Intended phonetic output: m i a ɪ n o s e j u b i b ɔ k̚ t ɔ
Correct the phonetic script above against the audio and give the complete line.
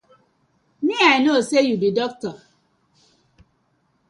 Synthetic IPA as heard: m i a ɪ n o s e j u b i d ɔ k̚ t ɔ